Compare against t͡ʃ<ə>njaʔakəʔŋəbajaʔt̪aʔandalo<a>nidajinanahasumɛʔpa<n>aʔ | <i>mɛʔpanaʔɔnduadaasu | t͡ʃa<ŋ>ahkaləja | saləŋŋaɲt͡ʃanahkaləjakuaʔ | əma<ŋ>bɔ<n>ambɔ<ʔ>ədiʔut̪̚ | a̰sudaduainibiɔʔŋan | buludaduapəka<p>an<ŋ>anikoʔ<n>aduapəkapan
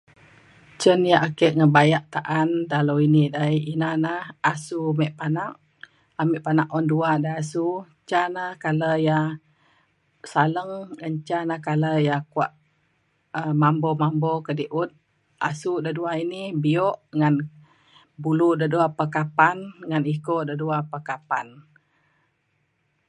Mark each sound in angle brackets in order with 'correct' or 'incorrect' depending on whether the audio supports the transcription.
correct, incorrect, correct, incorrect, incorrect, incorrect, incorrect, incorrect, correct, correct, incorrect

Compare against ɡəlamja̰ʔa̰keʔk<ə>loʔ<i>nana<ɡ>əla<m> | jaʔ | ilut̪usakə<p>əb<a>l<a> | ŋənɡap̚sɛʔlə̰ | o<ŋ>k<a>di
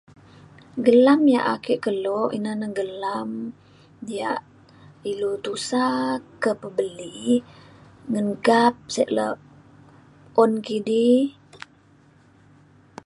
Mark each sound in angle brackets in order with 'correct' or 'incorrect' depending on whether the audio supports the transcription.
correct, correct, correct, correct, correct, incorrect, incorrect, incorrect, incorrect

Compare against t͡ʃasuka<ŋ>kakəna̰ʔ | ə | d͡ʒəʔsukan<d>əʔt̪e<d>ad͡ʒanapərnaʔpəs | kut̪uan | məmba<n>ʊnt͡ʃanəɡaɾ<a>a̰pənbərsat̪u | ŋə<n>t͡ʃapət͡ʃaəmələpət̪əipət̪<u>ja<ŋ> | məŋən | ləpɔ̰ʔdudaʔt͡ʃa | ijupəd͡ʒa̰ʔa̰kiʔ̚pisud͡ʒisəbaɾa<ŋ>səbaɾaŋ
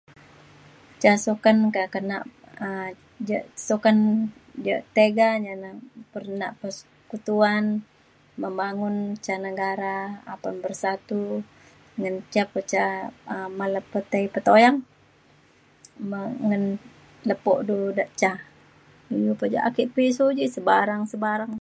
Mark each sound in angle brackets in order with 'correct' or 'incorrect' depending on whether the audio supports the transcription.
incorrect, incorrect, incorrect, incorrect, correct, correct, incorrect, correct, correct

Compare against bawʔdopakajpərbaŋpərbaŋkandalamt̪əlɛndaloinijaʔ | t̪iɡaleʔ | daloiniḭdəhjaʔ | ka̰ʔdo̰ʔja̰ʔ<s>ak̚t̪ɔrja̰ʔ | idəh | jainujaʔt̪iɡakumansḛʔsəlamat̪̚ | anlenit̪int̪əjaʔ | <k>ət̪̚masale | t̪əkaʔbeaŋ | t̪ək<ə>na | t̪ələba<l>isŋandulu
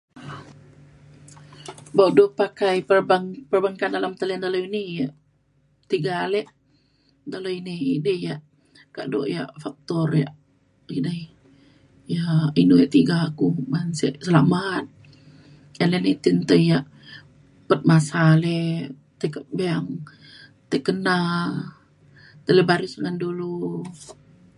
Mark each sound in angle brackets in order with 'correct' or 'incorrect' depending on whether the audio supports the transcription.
incorrect, incorrect, correct, incorrect

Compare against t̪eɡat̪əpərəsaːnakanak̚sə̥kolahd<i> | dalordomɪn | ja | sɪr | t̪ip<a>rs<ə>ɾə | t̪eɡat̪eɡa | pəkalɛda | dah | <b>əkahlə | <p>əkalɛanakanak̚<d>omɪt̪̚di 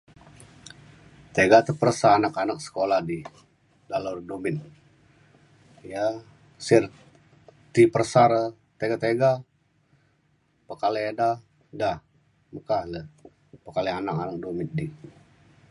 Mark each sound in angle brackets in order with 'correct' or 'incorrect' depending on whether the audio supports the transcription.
correct, incorrect, incorrect, incorrect, correct, correct

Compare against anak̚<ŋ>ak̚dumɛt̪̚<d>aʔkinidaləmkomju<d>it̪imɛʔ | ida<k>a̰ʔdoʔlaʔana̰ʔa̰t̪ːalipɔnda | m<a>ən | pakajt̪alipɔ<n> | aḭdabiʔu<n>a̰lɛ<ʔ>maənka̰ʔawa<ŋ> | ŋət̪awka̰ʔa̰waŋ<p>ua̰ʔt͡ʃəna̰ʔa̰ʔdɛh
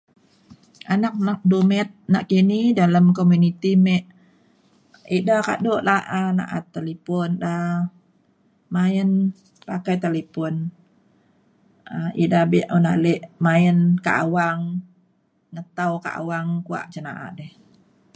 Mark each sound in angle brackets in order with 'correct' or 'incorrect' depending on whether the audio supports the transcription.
incorrect, incorrect, incorrect, correct, correct, correct, correct, correct, correct, incorrect

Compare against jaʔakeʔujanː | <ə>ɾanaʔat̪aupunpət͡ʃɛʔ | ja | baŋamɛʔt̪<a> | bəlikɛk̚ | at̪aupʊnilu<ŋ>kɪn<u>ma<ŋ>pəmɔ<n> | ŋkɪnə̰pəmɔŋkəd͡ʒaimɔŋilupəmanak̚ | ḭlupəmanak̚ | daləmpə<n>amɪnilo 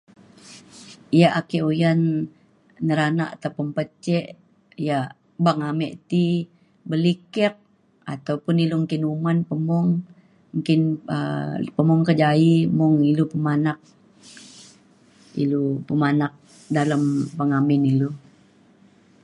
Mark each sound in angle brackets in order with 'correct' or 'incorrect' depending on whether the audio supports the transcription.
correct, incorrect, correct, correct, incorrect, incorrect, incorrect

